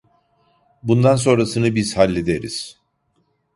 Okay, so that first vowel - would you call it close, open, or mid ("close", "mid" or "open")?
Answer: close